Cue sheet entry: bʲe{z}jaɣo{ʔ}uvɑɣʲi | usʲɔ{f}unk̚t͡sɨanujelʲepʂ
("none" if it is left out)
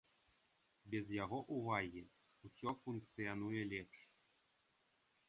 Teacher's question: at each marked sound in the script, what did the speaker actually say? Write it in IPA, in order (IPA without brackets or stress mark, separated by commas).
z, ʔ, f